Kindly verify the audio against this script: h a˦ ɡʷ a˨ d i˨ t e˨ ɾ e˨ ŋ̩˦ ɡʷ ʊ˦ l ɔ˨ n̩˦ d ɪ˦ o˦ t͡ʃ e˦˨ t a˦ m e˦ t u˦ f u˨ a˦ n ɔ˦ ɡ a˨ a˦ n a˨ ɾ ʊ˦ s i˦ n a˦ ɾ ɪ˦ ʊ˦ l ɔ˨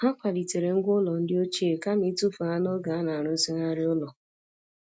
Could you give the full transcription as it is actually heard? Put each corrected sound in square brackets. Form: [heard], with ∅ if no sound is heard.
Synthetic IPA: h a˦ [kʷ] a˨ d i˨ t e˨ ɾ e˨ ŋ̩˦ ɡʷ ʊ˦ l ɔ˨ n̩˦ d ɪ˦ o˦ t͡ʃ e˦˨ [k] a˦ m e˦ t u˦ f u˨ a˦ n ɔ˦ ɡ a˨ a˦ n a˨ ɾ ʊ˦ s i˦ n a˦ ɾ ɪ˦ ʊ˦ l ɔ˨